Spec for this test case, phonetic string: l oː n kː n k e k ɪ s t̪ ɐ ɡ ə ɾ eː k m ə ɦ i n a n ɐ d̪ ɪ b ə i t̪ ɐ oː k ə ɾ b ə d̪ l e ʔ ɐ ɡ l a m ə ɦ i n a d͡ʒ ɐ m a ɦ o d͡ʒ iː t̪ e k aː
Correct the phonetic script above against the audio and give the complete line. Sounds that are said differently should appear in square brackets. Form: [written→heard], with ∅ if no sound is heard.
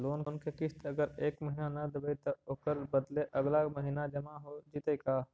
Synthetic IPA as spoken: l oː n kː n k e k ɪ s t̪ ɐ ɡ ə ɾ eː k m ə ɦ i n a n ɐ d̪ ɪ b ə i t̪ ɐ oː k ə ɾ b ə d̪ l e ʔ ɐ ɡ l a m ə ɦ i n a d͡ʒ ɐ m a ɦ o d͡ʒ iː t̪ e k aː